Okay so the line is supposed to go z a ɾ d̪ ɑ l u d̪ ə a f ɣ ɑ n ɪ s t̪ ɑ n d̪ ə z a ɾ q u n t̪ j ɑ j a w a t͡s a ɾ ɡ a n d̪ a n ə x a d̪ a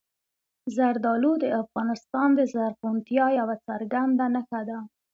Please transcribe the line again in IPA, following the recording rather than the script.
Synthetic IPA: z a ɾ d̪ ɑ l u d̪ ə a f ɣ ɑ n ɪ s t̪ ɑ n d̪ ə z a ɾ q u n t̪ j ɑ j a w a t͡s a ɾ ɡ a n d̪ a n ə x a d̪ a